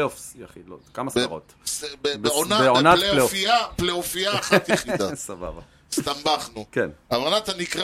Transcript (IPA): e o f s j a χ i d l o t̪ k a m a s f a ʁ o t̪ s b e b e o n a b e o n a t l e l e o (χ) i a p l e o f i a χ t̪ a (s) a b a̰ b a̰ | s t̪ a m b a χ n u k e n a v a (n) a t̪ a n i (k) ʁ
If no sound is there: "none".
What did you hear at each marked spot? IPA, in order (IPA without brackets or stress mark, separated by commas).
f, s, n, k